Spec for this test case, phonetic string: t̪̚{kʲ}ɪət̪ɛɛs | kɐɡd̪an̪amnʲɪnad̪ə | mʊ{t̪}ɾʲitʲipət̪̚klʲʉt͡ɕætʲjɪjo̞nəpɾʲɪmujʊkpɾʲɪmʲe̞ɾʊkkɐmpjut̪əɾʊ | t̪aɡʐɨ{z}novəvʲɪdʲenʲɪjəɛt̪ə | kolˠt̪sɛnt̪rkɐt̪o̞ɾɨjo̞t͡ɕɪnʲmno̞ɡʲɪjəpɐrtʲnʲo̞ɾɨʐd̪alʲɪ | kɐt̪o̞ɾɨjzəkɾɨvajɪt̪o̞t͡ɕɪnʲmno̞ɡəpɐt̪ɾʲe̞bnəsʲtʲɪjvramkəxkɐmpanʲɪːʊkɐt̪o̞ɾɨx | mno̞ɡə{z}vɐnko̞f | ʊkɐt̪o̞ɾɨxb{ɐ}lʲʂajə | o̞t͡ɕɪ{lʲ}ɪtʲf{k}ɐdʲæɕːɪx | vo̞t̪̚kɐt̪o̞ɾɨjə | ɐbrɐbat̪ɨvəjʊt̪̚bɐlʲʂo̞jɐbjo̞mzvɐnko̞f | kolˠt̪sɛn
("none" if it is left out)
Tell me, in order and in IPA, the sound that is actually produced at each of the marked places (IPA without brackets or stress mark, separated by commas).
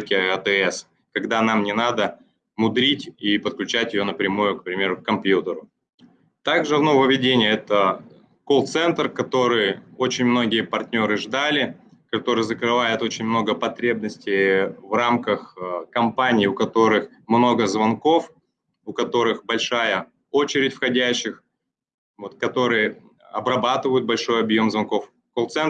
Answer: kʲ, d̪, v, z, ɐ, ɾʲ, x